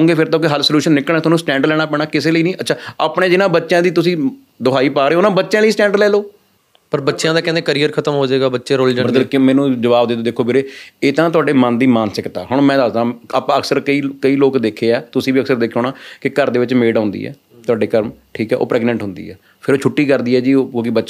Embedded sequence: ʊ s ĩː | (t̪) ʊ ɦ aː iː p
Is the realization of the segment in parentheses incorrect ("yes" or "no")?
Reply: yes